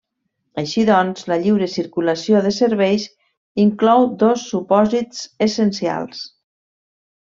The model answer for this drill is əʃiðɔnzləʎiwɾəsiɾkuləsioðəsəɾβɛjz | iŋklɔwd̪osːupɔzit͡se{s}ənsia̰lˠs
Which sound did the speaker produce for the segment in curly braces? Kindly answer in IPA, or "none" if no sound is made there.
s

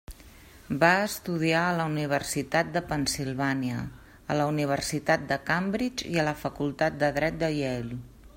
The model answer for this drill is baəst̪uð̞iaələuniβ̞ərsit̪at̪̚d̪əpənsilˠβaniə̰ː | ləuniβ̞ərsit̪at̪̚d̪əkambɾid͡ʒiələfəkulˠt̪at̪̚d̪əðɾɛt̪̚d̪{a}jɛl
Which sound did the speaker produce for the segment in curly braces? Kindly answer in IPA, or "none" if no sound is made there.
ə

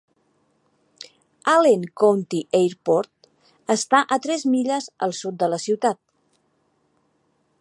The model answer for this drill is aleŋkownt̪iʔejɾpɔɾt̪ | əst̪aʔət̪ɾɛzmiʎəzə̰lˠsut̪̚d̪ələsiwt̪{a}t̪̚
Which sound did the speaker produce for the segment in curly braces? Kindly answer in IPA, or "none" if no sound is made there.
a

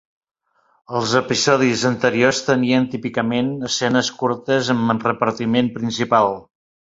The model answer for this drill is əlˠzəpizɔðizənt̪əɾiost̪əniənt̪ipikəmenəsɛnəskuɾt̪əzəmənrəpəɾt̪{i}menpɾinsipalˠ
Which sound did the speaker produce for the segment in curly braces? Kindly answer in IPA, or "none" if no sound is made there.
i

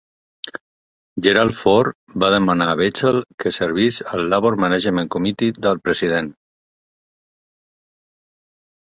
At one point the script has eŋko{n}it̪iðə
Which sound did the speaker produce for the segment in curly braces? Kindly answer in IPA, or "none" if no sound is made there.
m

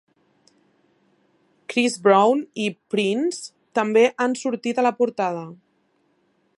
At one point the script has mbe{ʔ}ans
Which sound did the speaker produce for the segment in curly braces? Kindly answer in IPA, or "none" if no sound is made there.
ʔ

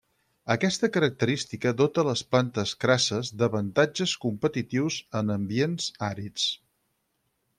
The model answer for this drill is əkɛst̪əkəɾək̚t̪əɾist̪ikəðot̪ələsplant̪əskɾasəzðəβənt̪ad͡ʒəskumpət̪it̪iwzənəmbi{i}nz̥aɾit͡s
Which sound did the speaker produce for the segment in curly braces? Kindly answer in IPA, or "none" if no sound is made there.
e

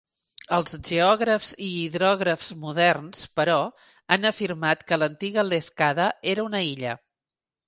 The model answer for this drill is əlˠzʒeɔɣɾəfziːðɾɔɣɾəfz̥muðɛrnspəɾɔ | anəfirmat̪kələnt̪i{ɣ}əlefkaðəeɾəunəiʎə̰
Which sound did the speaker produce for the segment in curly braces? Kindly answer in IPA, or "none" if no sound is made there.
ɣ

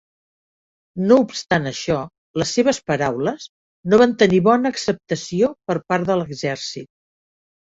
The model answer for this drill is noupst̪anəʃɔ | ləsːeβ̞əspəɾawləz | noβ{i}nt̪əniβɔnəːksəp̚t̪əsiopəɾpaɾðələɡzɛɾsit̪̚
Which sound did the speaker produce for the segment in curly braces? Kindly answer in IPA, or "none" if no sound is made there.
a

